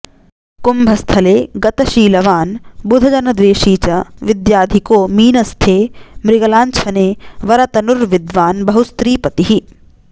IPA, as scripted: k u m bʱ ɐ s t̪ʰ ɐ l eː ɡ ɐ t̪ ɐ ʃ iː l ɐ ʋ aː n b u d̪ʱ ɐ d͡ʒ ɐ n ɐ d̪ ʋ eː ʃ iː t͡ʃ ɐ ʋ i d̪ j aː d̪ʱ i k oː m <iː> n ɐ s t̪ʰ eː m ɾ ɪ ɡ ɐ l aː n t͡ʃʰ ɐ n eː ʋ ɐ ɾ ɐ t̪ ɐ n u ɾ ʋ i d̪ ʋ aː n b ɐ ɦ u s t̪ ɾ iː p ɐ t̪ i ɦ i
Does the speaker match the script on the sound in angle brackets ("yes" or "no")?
yes